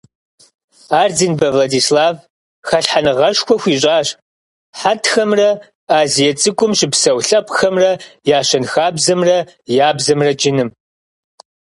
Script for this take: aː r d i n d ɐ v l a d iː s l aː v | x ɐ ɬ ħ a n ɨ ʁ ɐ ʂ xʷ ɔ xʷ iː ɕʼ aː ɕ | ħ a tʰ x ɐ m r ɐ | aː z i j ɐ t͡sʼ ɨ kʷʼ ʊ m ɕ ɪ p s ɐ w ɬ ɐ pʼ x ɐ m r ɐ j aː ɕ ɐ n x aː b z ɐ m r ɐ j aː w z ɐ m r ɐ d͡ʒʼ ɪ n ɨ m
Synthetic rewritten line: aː r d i n b ɐ v l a d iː s l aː v | x ɐ ɬ ħ a n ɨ ʁ ɐ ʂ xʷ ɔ xʷ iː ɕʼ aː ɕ | ħ a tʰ x ɐ m r ɐ | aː z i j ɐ t͡sʼ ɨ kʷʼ ʊ m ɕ ɪ p s ɐ w ɬ ɐ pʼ x ɐ m r ɐ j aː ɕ ɐ n x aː b z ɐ m r ɐ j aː b z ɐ m r ɐ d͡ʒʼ ɪ n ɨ m